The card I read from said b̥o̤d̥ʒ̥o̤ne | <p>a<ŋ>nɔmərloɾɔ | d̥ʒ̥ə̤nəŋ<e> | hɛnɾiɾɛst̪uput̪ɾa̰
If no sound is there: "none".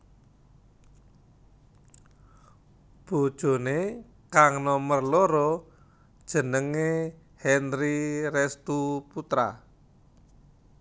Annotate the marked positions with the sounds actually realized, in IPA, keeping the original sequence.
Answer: k, ŋ, e

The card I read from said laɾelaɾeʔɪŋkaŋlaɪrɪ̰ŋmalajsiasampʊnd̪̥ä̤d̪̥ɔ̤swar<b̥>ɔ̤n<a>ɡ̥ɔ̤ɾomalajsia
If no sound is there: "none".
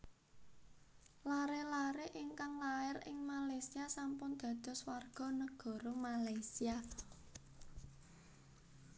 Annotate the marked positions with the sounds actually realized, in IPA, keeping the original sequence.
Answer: ɡ̥, ə

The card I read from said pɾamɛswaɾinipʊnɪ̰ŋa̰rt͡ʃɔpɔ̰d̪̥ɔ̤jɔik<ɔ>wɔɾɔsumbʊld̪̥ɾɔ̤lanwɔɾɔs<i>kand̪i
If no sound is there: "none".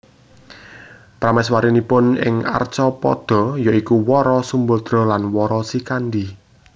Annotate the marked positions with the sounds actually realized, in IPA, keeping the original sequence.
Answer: u, i

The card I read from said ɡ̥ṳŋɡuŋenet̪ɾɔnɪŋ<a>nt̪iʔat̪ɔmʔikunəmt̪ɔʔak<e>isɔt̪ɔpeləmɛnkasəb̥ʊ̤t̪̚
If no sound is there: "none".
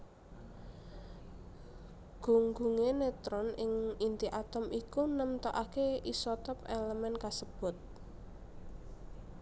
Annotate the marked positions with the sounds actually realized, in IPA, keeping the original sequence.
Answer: i, e

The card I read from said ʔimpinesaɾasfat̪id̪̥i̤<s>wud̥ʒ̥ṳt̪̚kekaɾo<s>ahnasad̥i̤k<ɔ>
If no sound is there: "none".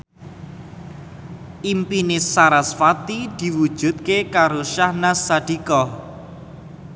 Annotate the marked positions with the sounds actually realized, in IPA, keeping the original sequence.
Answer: none, ʃ, ɔ

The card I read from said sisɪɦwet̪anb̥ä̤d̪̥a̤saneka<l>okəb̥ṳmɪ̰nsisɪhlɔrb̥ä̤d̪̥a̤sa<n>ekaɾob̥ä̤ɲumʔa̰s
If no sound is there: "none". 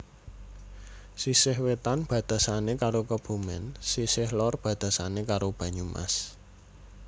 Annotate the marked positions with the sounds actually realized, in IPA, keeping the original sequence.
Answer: ɾ, n

